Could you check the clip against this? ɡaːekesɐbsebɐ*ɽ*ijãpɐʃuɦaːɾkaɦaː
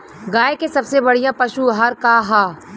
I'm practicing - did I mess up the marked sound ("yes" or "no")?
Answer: no